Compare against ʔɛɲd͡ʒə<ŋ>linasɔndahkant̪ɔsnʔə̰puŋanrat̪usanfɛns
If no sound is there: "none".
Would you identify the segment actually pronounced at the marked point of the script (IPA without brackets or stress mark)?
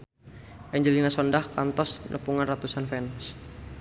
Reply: none